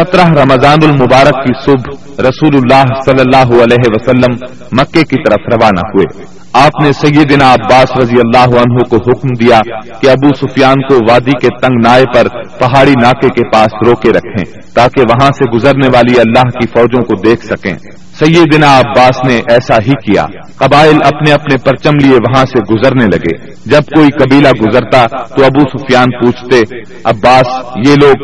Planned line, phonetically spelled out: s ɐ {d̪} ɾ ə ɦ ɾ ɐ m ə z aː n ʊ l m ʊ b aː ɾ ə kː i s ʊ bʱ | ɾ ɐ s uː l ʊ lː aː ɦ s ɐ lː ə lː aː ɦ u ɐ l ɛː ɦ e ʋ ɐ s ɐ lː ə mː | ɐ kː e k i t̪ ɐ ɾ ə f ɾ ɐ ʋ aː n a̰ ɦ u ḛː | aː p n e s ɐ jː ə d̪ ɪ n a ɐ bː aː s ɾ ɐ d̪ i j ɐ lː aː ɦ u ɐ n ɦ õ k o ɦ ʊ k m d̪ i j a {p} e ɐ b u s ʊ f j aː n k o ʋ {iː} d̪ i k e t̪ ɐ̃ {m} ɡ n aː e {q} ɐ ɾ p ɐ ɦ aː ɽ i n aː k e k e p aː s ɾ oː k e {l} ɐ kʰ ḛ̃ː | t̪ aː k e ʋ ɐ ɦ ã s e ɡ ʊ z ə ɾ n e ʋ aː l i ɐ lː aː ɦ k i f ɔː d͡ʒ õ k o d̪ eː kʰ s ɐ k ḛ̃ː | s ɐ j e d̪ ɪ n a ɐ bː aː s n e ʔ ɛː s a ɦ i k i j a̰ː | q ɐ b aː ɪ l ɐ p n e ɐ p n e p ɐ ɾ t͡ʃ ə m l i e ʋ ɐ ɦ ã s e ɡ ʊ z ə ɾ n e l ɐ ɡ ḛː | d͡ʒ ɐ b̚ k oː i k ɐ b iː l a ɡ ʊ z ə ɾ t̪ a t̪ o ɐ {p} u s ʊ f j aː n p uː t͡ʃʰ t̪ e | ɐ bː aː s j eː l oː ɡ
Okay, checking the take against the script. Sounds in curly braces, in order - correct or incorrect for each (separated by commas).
incorrect, incorrect, incorrect, incorrect, incorrect, incorrect, incorrect